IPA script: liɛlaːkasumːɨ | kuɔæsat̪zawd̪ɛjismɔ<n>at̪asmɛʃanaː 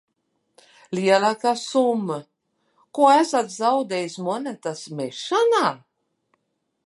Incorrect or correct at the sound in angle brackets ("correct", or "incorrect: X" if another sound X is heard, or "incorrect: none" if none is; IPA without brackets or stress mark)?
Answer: correct